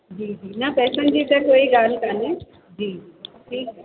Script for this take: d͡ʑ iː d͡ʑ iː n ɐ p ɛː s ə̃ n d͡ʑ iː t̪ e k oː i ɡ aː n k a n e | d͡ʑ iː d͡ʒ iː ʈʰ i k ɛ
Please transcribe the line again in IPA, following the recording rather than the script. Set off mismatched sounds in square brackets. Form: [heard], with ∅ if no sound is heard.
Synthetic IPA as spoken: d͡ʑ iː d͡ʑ iː n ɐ p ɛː s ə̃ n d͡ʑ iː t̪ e k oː i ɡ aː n k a n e | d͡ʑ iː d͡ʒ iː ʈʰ [iː] k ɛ